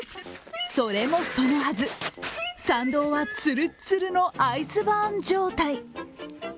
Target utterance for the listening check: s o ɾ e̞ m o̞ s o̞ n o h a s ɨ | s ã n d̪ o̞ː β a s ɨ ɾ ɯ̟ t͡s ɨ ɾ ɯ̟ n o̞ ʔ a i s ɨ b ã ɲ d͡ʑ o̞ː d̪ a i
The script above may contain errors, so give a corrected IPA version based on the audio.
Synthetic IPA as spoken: s o ɾ e̞ m o̞ s o̞ n o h a z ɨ | s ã n d̪ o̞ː β a t͡s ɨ ɾ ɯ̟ t͡s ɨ ɾ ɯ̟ n o̞ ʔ a i s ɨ b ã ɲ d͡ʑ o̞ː t̪ a i